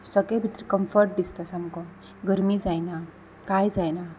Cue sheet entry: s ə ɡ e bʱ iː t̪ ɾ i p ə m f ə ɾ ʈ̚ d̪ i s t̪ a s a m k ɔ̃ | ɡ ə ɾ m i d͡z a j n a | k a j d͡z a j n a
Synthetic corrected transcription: s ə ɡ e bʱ i t̪ ɾ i k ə m f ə ɾ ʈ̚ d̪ i s t̪ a s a m k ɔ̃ | ɡ ə ɾ m i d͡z a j n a | k a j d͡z a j n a